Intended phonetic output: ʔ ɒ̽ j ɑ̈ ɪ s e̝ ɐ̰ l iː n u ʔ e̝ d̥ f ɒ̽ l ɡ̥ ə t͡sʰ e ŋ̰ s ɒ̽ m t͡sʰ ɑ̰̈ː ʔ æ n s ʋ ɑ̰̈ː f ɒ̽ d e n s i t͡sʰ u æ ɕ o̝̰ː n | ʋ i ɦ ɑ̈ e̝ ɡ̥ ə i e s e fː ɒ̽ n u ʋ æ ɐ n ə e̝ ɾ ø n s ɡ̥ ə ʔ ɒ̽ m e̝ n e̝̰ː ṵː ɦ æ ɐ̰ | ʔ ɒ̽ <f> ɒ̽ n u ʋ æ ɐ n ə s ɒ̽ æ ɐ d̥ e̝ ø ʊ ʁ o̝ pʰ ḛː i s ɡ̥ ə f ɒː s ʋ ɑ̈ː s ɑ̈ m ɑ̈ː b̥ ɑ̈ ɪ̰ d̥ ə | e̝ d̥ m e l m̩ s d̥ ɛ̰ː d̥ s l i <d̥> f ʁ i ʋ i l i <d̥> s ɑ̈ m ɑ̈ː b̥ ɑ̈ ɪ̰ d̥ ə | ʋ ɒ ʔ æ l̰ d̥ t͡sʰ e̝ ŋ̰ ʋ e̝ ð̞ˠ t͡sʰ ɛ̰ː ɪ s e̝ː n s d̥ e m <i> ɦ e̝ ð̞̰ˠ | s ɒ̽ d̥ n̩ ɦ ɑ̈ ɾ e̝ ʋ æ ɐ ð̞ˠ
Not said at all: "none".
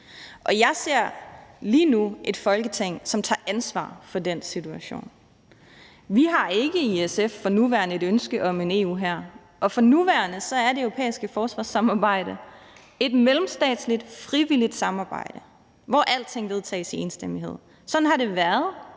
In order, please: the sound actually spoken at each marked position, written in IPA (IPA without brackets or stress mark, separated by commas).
f, d̥, d̥, i